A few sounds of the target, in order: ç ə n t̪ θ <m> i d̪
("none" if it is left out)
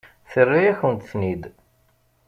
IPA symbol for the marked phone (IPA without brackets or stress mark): n